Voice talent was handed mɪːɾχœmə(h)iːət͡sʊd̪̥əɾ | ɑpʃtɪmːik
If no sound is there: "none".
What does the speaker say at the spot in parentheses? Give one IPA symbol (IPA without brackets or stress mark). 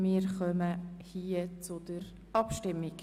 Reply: h